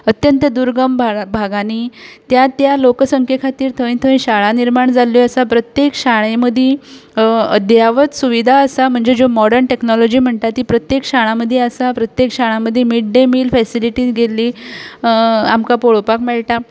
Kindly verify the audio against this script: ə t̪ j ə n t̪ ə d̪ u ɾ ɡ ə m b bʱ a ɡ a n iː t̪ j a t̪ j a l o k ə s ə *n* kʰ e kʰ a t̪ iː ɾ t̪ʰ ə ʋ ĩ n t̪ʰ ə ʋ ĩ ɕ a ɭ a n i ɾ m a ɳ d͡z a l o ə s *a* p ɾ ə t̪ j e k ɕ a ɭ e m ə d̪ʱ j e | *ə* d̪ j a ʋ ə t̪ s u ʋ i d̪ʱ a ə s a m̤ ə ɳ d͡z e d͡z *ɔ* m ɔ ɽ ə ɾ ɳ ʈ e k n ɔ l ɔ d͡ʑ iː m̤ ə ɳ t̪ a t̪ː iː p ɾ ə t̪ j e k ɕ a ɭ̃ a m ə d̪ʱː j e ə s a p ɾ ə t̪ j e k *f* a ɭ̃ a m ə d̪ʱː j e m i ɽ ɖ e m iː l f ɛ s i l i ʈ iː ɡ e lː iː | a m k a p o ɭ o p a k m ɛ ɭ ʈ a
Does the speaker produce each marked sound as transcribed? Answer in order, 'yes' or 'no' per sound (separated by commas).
no, yes, yes, no, no